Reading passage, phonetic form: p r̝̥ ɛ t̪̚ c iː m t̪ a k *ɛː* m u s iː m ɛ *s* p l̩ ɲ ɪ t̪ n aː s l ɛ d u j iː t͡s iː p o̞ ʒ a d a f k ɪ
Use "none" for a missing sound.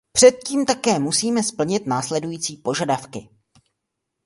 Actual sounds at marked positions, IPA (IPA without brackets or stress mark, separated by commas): ɛː, s